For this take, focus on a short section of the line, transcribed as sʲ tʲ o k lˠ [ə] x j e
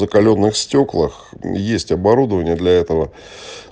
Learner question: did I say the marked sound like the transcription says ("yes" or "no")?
yes